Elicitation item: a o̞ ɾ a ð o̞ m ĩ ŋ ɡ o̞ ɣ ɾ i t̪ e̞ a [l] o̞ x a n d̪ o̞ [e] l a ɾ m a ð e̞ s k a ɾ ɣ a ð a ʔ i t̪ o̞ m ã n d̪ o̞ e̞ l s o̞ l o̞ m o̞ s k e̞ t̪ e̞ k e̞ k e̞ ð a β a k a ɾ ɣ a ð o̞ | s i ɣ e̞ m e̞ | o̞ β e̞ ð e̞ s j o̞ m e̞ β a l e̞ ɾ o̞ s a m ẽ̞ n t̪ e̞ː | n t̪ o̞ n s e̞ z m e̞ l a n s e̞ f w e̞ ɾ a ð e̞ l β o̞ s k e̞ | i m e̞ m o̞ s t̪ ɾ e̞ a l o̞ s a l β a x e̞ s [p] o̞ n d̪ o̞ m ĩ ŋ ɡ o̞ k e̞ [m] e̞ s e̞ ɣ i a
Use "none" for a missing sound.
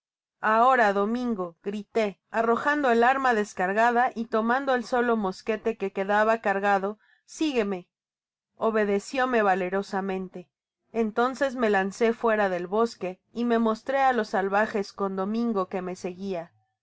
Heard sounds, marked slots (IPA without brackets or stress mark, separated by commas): r, e, k, m